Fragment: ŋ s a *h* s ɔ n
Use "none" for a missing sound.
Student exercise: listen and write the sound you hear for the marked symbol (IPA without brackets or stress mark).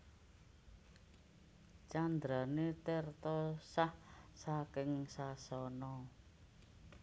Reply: none